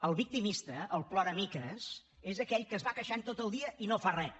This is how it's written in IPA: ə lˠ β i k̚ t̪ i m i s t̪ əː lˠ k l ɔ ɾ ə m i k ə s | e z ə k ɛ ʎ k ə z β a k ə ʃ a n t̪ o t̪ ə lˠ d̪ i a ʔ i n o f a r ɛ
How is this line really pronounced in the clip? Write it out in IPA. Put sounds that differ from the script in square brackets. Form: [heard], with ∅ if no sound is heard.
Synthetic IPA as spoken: ə lˠ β i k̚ t̪ i m i s t̪ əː lˠ [p] l ɔ ɾ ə m i k ə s | e z ə k ɛ ʎ k ə z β a k ə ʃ a n t̪ o t̪ ə lˠ d̪ i [ə] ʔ i n o f a r ɛ